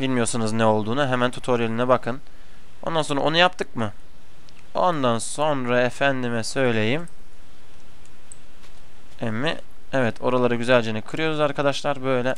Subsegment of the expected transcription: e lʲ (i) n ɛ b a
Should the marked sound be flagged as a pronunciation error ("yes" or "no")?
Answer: no